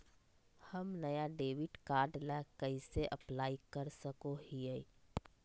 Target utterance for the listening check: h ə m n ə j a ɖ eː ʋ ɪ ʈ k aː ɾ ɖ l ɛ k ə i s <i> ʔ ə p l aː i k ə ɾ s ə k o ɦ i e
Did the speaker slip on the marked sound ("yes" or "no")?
yes